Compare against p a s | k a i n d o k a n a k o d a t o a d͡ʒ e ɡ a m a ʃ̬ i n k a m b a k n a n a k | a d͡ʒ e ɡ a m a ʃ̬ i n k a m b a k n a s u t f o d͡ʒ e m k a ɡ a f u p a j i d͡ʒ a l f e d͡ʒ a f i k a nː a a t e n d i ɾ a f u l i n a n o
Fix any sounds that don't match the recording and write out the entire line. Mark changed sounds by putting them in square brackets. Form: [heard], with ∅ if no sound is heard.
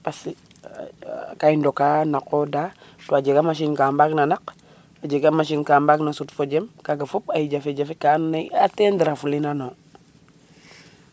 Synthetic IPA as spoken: p a s | k a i n d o k a n a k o d a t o a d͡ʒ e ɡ a m a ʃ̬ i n k a m b a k n a n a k | a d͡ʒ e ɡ a m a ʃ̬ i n k a m b a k n a s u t f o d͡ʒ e m k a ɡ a f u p a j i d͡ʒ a [∅] f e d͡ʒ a f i k a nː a a t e n d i ɾ a f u l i n a n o